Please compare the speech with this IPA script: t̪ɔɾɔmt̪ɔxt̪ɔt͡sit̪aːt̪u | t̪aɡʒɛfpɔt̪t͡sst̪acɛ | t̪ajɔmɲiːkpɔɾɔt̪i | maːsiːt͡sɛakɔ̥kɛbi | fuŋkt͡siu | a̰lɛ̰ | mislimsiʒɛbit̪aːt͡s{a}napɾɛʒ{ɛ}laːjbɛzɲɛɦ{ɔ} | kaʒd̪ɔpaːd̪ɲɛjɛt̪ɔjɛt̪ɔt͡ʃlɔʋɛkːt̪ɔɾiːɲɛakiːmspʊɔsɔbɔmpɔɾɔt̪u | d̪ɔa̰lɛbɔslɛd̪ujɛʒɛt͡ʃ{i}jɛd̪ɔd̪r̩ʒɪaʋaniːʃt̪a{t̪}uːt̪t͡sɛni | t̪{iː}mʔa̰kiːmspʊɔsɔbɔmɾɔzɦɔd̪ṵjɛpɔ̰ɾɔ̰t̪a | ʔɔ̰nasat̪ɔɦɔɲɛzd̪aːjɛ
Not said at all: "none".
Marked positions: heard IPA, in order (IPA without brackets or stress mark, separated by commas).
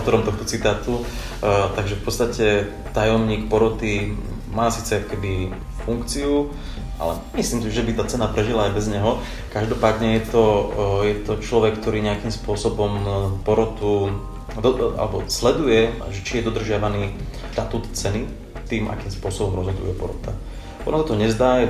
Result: ɛ, i, ɔ, i, t̪, iː